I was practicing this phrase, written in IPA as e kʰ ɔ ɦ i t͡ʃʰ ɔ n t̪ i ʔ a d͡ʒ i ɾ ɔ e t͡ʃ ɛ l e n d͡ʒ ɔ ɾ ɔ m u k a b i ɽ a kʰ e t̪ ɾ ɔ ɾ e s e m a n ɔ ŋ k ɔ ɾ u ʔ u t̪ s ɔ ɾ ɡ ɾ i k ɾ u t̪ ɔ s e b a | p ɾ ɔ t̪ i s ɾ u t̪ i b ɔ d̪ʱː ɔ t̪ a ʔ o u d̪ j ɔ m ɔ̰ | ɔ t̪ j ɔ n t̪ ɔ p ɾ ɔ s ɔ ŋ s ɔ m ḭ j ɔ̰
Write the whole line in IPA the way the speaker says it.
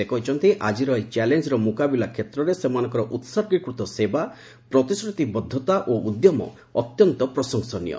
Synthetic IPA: e k ɔ ɦ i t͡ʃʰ ɔ n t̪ i ʔ a d͡ʒ i ɾ ɔ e t͡ʃ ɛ l e n d͡ʒ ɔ ɾ ɔ m u k a b i l a kʰ e t̪ ɾ ɔ ɾ e s e m a n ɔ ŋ k ɔ ɾ ɔ ʔ u t̪ s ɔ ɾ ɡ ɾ i k ɾ u t̪ ɔ s e b a | p ɾ ɔ t̪ i s ɾ u t̪ i b ɔ d̪ʱː ɔ t̪ a ʔ o u d̪ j ɔ m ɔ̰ | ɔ t̪ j ɔ n t̪ ɔ p ɾ ɔ s ɔ ŋ s ɔ n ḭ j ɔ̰